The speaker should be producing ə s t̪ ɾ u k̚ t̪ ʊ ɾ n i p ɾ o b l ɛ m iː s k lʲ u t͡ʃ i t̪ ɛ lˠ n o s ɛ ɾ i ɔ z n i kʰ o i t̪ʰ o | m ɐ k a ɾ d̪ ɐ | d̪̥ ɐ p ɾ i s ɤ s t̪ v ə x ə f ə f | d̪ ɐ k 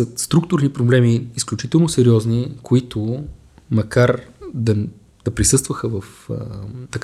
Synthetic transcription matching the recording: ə s t̪ ɾ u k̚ t̪ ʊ ɾ n i p ɾ o b l ɛ m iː s k lʲ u t͡ʃ i t̪ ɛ lˠ n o s ɛ ɾ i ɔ z n i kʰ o i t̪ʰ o | m ɐ k a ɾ d̪ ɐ | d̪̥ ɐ p ɾ i s ɤ s t̪ v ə x ə v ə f | t̪ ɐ k